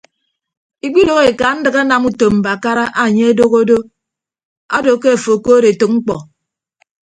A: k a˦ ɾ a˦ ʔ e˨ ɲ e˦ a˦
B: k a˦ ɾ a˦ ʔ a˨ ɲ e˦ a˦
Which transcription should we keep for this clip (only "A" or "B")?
B